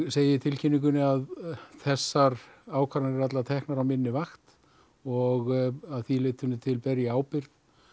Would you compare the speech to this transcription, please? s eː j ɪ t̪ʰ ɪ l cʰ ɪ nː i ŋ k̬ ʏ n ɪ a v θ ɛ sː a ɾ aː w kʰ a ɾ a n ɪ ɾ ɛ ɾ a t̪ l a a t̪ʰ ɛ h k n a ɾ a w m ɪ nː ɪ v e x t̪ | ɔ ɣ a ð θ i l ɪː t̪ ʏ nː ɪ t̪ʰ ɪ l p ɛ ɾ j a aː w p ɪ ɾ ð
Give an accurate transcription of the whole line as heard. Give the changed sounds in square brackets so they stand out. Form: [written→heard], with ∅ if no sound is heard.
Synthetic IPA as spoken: s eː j ɪ t̪ʰ ɪ l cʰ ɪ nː i ŋ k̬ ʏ n ɪ a [v→ð] θ ɛ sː a ɾ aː w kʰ a ɾ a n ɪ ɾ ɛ ɾ a t̪ l a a t̪ʰ ɛ h k n a ɾ a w m ɪ nː ɪ v [e→a] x t̪ | ɔ ɣ a ð θ i l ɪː t̪ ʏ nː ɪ t̪ʰ ɪ l p ɛ ɾ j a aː w p ɪ ɾ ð